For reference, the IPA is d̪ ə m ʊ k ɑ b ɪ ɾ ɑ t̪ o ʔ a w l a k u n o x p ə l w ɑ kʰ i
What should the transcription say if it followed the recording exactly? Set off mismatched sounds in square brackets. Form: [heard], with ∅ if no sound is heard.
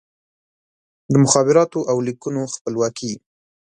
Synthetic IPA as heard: d̪ ə m ʊ [x] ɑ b ɪ ɾ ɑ t̪ o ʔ a w l [i] k u n o x p ə l w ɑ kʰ i